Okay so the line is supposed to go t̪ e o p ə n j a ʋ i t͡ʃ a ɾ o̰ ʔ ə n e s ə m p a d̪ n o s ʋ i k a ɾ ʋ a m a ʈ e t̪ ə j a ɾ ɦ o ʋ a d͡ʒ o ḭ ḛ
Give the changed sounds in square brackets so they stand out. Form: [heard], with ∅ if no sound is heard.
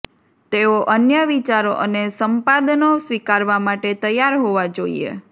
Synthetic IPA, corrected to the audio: t̪ e o [ʔ] ə n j [ə] ʋ i t͡ʃ a ɾ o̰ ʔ ə n e s ə m p a d̪ n o s ʋ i k a ɾ ʋ a m a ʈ e t̪ ə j a ɾ ɦ o ʋ a d͡ʒ o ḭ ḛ